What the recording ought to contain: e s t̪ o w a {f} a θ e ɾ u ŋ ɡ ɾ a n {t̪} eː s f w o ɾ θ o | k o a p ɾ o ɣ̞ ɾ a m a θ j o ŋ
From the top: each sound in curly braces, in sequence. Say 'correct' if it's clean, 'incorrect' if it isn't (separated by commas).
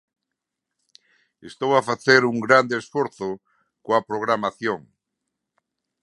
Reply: correct, incorrect